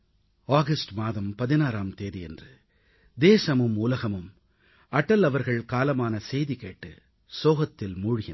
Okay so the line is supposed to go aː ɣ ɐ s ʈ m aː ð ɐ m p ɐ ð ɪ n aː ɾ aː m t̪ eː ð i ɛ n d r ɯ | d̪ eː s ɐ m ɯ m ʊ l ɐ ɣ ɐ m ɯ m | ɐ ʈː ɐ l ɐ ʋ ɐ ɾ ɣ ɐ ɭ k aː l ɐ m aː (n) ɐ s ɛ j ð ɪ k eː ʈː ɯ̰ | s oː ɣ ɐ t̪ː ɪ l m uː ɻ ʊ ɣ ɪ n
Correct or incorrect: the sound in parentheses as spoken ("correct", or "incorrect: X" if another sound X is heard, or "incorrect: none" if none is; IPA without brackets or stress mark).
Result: correct